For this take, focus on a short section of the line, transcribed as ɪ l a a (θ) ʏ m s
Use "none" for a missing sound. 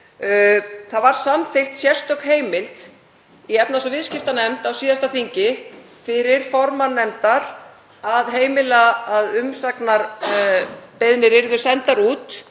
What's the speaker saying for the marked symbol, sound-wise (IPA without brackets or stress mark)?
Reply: ð